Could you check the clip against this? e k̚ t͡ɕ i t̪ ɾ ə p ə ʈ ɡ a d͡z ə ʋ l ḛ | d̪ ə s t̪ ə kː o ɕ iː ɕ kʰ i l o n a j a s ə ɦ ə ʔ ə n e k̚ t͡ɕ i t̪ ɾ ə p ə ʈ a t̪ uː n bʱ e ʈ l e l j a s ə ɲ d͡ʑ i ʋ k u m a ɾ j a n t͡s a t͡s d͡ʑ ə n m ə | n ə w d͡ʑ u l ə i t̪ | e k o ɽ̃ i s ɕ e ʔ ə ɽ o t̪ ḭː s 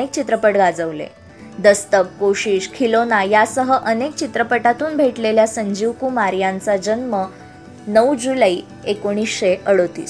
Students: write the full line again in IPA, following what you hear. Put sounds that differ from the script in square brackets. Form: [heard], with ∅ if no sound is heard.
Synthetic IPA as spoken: e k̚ t͡ɕ i t̪ ɾ ə p ə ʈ ɡ a d͡z ə ʋ l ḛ | d̪ ə s t̪ ə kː o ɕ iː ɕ kʰ i l o n a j a s ə ɦ ə ʔ ə n e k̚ t͡ɕ i t̪ ɾ ə p ə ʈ a t̪ uː n bʱ e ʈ l e l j a s ə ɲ d͡ʑ i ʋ k u m a ɾ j a n t͡s a [∅] d͡ʑ ə n m ə | n ə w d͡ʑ u l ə i [∅] | e k o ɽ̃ i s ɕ e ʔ ə ɽ o t̪ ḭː s